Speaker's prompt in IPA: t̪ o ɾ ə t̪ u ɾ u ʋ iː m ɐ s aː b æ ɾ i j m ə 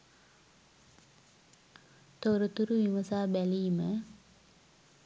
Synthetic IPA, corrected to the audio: t̪ o ɾ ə t̪ u ɾ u ʋ i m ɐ s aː b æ l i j m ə